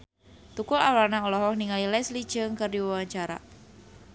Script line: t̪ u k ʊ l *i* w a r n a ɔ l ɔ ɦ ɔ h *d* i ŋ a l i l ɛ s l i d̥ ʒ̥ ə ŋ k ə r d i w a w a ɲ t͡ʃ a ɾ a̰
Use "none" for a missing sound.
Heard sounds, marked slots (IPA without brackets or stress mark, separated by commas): a, n